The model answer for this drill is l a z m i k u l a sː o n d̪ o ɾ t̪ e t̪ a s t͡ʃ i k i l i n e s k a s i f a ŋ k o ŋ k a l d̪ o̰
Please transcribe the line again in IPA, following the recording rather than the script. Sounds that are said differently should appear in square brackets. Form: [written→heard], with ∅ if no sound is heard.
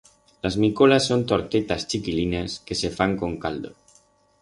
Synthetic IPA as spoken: l a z m i k [u→o] l a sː o n [d̪→t̪] o ɾ t̪ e t̪ a s t͡ʃ i k i l i n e s k [a→e] s [i→e] f a ŋ k o ŋ k a l d̪ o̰